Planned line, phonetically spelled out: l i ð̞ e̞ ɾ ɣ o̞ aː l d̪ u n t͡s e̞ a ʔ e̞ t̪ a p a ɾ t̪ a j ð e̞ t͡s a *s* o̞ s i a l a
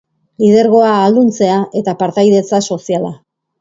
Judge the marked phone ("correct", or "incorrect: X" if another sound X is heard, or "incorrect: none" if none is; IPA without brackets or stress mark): correct